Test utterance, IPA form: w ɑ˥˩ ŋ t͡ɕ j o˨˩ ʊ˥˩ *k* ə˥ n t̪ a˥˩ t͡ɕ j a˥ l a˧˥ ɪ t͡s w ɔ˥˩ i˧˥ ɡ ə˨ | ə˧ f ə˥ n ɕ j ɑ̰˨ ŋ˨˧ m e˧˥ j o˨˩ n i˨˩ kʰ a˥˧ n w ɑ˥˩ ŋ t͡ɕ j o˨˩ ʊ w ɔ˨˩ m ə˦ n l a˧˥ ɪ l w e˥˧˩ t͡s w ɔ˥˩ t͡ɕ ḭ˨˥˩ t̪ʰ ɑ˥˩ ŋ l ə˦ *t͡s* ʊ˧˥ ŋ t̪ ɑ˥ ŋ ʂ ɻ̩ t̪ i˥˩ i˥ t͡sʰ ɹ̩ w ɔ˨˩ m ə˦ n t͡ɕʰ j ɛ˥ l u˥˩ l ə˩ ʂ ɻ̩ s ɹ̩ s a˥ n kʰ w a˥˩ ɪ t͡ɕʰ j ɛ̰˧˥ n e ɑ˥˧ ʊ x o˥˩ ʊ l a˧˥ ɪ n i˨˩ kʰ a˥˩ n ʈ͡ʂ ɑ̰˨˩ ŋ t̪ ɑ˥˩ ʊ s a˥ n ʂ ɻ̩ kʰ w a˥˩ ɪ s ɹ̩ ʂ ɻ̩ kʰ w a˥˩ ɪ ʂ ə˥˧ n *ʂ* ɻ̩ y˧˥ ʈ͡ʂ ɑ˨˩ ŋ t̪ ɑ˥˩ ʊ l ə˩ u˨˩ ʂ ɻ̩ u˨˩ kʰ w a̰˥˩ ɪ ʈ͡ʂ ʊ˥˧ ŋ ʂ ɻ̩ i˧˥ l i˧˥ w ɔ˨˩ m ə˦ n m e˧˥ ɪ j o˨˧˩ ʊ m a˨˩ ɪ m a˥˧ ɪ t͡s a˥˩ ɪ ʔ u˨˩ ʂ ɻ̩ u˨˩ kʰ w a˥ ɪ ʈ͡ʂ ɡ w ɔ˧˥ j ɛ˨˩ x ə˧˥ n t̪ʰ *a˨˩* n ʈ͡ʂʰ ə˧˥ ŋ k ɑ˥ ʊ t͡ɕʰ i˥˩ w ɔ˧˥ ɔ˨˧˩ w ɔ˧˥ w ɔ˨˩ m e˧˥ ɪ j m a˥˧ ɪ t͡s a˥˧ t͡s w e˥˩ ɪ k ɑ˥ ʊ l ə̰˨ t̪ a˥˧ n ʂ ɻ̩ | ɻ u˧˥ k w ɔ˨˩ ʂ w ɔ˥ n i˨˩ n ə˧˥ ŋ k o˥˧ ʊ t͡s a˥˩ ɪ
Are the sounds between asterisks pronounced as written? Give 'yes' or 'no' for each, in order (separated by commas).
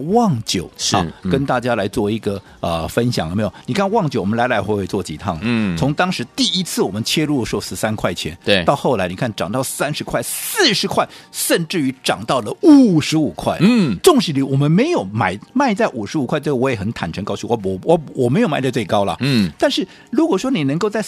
yes, no, no, yes